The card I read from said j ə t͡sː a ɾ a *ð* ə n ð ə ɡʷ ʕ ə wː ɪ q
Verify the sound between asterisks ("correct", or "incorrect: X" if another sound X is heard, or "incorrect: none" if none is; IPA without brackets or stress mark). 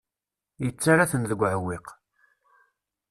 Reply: incorrect: θ